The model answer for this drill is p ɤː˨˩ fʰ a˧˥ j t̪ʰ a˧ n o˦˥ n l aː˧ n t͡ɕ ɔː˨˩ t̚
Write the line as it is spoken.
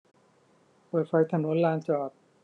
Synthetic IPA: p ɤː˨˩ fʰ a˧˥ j t̪ʰ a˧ n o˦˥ n l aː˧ n t͡ɕ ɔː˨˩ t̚